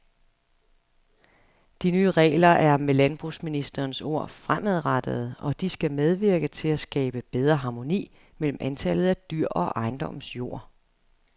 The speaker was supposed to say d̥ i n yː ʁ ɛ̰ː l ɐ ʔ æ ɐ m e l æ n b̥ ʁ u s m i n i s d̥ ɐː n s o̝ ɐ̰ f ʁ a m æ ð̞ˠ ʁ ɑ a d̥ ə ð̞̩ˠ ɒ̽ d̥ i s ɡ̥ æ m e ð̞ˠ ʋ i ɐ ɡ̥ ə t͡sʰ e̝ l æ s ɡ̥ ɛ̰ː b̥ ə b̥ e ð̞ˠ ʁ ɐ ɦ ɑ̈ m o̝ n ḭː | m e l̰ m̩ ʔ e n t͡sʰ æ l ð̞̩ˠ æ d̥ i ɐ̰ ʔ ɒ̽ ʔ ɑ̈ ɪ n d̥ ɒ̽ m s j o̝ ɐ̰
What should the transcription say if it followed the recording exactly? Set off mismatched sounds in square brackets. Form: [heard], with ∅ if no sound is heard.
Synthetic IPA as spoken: d̥ i n yː ʁ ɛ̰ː l ɐ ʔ æ ɐ m e l æ n b̥ ʁ u s m i n i s d̥ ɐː n s o̝ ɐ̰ f ʁ a m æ ð̞ˠ ʁ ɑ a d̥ ə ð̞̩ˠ ɒ̽ d̥ i s ɡ̥ æ m e ð̞ˠ ʋ i ɐ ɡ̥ ə t͡sʰ e̝ l æ s ɡ̥ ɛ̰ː b̥ ə b̥ e ð̞ˠ ʁ ɐ ɦ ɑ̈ m o̝ n ḭː | m e l̰ m̩ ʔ [æ] n t͡sʰ æ l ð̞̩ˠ æ d̥ [y] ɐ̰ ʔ ɒ̽ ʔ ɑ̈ ɪ n d̥ ɒ̽ m s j o̝ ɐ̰